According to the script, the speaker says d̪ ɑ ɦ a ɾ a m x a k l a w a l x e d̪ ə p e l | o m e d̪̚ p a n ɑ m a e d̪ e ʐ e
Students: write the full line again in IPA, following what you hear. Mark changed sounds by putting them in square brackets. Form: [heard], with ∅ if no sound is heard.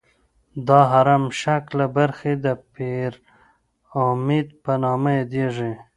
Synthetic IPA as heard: d̪ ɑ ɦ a ɾ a m [ʃ] a k l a [b] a [ɾ] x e d̪ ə p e [ɾ] | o m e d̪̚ p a n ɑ m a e d̪ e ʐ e